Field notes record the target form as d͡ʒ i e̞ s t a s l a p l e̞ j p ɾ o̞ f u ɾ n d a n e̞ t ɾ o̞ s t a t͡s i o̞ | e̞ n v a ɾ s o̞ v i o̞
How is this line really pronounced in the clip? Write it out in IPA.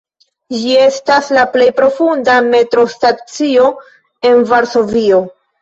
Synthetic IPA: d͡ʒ i e̞ s t a s l a p l e̞ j p ɾ o̞ f u n d a m e̞ t ɾ o̞ s t a t͡s i o̞ | e̞ n v a ɾ s o̞ v i o̞